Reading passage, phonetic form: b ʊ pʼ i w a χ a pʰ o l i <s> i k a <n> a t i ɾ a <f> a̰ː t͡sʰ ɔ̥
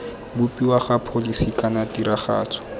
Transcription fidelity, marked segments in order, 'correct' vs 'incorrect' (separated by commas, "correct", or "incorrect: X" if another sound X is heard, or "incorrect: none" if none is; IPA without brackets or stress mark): correct, correct, incorrect: χ